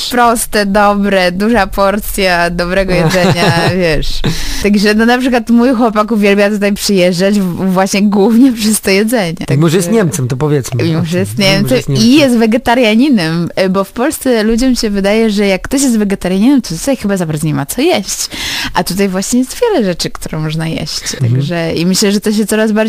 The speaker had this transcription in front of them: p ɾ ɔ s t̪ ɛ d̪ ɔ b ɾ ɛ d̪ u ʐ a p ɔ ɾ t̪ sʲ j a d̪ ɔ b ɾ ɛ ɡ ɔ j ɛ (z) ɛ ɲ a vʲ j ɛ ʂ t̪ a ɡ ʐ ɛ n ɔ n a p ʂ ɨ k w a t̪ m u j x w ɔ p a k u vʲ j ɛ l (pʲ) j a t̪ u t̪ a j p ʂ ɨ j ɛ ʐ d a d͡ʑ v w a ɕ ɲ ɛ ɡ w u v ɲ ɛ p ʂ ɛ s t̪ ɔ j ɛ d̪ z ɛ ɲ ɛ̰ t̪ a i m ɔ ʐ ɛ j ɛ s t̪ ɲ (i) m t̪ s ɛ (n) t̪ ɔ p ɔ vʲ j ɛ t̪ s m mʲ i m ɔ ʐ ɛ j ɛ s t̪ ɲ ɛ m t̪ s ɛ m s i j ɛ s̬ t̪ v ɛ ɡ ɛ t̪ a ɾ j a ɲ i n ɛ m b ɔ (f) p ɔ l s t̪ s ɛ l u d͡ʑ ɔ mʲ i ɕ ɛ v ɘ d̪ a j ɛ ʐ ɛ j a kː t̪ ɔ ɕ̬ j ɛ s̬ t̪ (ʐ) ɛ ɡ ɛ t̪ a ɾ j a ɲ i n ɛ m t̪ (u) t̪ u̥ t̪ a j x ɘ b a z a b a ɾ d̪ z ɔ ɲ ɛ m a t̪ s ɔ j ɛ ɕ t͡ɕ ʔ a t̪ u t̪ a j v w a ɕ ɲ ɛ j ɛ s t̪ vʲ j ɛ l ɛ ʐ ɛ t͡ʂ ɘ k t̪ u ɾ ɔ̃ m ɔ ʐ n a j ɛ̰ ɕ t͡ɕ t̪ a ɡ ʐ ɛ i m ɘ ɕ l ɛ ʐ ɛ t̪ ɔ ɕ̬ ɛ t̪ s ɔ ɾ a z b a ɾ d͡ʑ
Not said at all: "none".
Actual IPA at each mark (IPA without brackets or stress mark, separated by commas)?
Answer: z, bʲ, ɛ, m, f, v, ɔ